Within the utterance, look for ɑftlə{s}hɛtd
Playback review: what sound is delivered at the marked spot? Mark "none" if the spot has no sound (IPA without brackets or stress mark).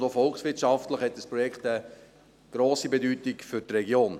χ